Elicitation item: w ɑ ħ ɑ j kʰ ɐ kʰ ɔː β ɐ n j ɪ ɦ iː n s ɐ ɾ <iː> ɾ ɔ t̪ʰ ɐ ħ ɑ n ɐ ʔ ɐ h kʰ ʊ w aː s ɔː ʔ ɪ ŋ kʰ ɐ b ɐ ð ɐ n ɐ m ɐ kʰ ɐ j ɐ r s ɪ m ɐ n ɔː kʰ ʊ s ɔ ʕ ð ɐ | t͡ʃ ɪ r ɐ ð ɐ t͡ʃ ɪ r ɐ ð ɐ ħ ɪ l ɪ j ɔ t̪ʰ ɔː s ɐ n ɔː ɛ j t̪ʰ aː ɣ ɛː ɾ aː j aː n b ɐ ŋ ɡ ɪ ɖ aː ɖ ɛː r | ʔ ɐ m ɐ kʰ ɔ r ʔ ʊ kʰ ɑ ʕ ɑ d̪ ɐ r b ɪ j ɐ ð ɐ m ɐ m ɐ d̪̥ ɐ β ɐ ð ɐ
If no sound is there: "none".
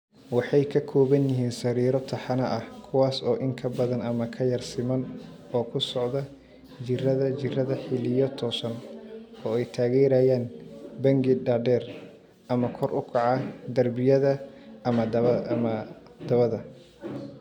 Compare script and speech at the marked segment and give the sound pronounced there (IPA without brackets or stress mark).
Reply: iː